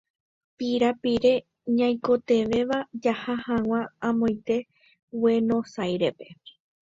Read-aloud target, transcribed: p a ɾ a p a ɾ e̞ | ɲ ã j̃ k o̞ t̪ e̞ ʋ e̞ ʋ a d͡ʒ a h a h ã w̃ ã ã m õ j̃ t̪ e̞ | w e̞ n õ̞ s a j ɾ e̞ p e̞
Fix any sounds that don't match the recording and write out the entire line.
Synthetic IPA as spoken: p i ɾ a p i ɾ e̞ | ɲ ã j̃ k o̞ t̪ e̞ ʋ e̞ ʋ a d͡ʒ a h a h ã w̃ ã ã m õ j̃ t̪ e̞ | w e̞ n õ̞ s a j ɾ e̞ p e̞